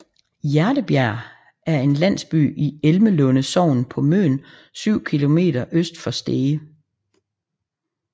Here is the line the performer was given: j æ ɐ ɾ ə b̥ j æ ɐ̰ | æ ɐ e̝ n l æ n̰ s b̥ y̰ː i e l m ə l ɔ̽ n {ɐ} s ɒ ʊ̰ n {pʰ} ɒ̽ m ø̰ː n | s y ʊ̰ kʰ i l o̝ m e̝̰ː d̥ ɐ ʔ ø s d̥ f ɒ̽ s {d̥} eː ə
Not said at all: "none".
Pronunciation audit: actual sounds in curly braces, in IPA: ə, pʰ, d̥

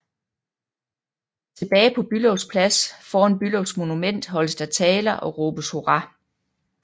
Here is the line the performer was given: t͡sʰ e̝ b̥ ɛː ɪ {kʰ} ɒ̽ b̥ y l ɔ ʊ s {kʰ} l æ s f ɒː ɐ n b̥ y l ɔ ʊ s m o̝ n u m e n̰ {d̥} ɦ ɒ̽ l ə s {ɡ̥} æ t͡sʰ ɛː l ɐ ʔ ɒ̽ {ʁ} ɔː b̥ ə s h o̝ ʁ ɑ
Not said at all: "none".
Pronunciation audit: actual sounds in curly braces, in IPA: pʰ, pʰ, d̥, d̥, ʁ

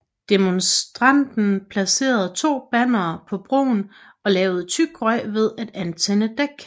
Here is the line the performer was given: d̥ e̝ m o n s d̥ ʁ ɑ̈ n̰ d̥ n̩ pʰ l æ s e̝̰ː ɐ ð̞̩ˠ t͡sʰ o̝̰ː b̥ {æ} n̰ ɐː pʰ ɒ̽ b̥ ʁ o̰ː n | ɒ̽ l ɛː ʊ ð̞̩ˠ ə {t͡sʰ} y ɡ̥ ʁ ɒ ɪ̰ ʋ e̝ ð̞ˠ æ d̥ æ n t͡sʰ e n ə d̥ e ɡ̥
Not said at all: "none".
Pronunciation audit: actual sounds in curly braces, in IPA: æ, t͡sʰ

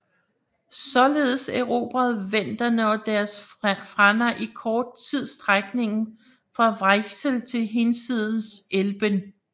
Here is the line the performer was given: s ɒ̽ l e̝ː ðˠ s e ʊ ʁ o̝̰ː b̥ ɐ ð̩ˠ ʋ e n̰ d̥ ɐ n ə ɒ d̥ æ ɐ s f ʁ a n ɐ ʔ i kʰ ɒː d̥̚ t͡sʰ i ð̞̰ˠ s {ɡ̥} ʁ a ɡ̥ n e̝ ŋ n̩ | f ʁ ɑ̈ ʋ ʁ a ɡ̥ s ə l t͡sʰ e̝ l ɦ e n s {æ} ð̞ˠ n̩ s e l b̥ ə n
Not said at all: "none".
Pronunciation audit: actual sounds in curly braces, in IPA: d̥, i

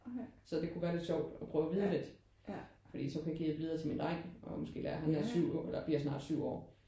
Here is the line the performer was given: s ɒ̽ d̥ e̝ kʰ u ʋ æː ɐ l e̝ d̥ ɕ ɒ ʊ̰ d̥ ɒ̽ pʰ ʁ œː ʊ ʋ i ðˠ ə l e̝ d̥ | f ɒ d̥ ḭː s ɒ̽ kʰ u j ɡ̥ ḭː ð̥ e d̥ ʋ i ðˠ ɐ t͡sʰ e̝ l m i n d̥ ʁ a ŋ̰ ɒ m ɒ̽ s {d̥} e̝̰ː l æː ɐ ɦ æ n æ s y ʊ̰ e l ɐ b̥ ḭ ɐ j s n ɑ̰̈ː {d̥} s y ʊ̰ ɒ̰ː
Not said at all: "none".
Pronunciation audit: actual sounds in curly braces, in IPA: ɡ̥, d̥

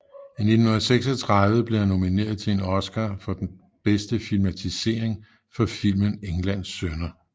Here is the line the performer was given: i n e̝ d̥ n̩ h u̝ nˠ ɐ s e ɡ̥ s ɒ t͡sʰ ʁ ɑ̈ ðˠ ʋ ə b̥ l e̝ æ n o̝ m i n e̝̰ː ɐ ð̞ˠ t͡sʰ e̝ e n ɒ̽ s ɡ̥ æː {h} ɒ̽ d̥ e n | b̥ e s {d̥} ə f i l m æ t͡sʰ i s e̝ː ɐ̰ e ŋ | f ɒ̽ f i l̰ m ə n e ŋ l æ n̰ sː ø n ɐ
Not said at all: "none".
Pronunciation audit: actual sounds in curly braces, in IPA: f, d̥

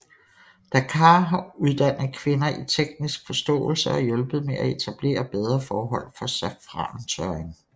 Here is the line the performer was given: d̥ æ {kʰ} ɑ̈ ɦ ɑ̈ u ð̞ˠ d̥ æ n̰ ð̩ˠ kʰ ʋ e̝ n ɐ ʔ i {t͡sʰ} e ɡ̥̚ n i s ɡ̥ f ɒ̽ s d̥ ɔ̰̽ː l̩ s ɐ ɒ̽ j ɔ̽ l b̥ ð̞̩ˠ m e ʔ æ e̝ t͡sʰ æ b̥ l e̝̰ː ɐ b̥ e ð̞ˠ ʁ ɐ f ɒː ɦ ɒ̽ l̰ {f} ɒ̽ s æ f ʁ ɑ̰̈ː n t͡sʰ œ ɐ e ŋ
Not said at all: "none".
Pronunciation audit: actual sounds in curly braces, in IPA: kʰ, t͡sʰ, f

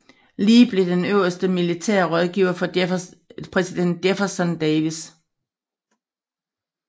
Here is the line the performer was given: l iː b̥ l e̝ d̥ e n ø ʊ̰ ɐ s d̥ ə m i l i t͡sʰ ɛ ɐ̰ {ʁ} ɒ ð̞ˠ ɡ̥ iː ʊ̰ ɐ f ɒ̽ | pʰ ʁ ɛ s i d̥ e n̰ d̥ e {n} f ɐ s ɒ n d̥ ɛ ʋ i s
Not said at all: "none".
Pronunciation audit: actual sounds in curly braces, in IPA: ʁ, none

